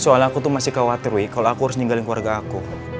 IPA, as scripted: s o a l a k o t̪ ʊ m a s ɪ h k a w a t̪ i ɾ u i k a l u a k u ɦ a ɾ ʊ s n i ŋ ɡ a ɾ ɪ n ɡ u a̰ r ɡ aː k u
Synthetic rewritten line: s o a l a k u t̪ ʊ m a s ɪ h k a w a t̪ i ɾ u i k a l o a k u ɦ a ɾ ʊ s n i ŋ ɡ a l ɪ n k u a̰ r ɡ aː k u

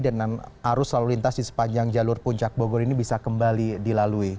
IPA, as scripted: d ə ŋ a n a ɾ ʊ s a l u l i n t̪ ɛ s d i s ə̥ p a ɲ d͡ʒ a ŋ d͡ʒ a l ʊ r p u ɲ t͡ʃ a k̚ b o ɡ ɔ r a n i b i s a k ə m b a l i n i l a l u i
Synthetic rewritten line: d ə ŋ a n a ɾ ʊ s a l u l i n t̪ a s d i s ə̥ p a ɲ d͡ʒ a ŋ d͡ʒ a l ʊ r p u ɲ t͡ʃ a k̚ b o ɡ ɔ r i n i b i s a k ə m b a l i d i l a l u i

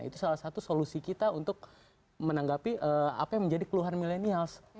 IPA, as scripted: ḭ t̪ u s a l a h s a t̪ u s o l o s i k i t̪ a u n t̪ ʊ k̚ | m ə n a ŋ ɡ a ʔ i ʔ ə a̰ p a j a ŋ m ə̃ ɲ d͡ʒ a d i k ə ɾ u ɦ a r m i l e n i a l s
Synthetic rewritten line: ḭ t̪ u s a l a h s a t̪ u s o l u s i k i t̪ a u n t̪ ʊ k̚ | m ə n a ŋ ɡ a p i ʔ ə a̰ p a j a ŋ m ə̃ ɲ d͡ʒ a d i k ə l u ɦ a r m i l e n i a l s

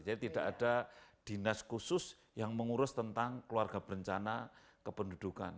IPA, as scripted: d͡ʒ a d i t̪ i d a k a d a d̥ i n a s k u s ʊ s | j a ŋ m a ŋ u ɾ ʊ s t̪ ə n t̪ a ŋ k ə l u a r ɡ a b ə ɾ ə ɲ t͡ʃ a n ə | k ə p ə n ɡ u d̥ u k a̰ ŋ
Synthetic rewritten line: d͡ʒ a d i t̪ i d a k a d a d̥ i n a s k u s ʊ s | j a ŋ m ə ŋ u ɾ ʊ s t̪ ə n t̪ a ŋ k ə l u a r ɡ a b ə ɾ ə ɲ t͡ʃ a n a | k ə p ə n d u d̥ u k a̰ n

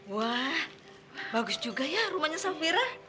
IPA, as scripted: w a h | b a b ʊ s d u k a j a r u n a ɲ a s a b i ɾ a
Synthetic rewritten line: w a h | b a ɡ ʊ s d͡ʒ u ɡ a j a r u m a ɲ a s a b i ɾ a

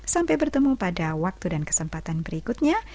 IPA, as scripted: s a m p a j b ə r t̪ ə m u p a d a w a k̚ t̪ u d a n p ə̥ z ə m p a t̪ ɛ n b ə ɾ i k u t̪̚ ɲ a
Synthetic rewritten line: s a m p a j b ə r t̪ ə m u p a d a w a k̚ t̪ u d a n k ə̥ s ə m p a t̪ a n b ə ɾ i k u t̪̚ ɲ a

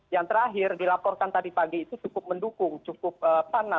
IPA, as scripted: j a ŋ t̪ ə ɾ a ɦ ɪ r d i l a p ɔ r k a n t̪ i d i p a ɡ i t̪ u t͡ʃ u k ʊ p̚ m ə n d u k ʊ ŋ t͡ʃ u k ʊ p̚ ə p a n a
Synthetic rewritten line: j a ŋ t̪ ə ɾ a ɦ ɪ r d i l a p ɔ r k a n t̪ a d i p a ɡ iː t̪ u t͡ʃ u k ʊ p̚ m ə n d u k ʊ ŋ t͡ʃ u k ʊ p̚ ə p a n a

